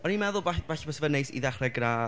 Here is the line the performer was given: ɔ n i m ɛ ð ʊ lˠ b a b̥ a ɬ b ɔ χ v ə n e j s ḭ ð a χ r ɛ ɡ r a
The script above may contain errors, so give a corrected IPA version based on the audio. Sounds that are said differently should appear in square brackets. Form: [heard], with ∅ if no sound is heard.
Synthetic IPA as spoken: ɔ n i m ɛ ð ʊ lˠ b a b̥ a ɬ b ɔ [s] v ə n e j s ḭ ð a χ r ɛ ɡ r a